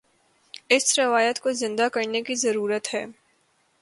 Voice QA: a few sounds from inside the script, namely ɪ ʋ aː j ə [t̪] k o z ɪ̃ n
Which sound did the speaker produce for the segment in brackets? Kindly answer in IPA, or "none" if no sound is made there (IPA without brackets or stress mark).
t̪